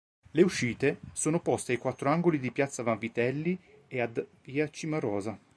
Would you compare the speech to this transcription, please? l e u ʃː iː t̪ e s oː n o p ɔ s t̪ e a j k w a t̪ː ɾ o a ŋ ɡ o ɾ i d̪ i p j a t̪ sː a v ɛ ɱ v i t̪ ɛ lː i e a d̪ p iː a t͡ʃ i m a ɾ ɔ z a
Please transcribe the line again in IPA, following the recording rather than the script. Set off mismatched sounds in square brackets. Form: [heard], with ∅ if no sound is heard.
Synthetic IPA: l e u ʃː iː t̪ e s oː n o p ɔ s t̪ e a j k w a t̪ː ɾ o a ŋ ɡ o [l] i d̪ i p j a t̪ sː a v [a] ɱ v i t̪ ɛ lː i e a d̪ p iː a t͡ʃ i m a ɾ [ɔː] z a